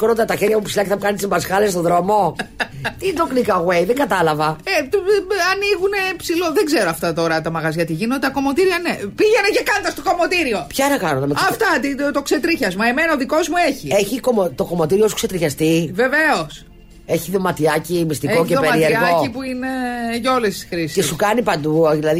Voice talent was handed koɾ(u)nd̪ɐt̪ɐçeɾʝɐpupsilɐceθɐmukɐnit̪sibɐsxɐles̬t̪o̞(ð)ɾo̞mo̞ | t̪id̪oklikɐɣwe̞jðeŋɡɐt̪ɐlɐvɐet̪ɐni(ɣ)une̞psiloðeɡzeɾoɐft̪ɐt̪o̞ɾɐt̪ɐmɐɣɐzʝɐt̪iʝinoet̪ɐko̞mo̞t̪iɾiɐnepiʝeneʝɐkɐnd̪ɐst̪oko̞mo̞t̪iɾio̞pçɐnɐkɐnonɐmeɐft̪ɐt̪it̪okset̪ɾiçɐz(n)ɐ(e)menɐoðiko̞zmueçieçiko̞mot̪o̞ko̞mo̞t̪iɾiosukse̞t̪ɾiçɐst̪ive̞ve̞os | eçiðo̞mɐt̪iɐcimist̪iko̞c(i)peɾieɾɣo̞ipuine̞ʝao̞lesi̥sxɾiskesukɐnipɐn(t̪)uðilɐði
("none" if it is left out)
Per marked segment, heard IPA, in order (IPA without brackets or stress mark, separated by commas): o, ð, ɣ, m, e, e, d̪